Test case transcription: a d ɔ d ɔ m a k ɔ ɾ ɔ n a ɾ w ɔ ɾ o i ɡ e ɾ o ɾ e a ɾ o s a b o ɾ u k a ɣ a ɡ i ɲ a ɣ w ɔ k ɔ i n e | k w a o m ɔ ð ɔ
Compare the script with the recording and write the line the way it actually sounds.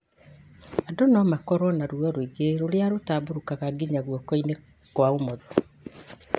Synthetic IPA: a d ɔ n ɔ m a k ɔ ɾ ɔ n a ɾ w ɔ ɾ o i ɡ e ɾ o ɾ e a ɾ o t a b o ɾ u k a ɣ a ɡ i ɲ a ɣ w ɔ k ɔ i n e | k w a o m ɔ ð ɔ